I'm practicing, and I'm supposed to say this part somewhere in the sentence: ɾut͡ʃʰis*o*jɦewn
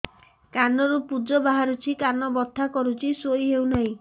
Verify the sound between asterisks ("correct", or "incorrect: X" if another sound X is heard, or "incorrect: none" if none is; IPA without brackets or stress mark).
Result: correct